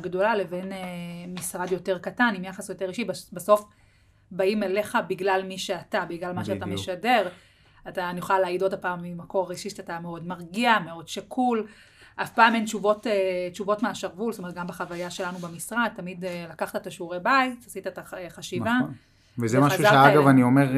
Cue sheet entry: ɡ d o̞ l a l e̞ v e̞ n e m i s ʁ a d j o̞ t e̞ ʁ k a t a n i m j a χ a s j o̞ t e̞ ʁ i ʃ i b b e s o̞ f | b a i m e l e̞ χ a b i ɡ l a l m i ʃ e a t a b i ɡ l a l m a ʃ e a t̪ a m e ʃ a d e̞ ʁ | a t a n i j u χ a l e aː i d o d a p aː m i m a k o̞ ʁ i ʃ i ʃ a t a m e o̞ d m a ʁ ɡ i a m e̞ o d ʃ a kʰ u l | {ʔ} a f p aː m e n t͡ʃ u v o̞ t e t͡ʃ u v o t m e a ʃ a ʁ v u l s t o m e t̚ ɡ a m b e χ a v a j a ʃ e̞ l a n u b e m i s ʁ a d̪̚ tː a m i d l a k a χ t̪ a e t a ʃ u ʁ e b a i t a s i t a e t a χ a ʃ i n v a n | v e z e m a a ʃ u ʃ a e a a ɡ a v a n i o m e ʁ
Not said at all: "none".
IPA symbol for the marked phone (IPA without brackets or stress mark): ʔ